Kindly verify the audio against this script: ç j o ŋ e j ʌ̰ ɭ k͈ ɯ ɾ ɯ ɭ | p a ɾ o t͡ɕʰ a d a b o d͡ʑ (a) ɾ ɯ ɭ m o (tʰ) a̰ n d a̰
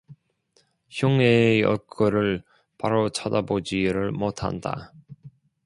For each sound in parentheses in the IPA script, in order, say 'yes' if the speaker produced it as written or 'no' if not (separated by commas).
no, yes